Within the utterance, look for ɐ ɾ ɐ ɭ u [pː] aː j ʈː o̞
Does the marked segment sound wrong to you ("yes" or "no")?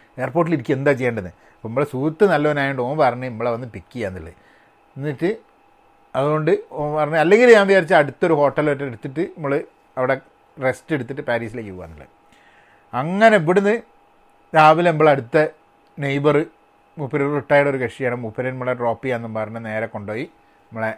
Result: yes